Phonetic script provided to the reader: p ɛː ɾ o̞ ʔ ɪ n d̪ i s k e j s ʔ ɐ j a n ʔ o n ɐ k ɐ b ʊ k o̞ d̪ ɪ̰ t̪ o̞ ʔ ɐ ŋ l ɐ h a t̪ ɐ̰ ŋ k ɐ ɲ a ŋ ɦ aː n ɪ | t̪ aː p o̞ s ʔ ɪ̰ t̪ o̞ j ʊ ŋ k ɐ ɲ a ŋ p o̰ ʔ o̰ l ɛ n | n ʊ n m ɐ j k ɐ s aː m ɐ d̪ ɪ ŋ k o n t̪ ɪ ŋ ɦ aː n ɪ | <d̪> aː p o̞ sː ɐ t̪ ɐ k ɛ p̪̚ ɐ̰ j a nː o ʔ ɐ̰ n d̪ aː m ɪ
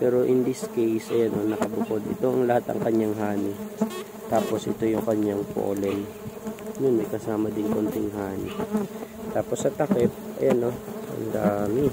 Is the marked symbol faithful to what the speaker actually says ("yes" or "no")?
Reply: no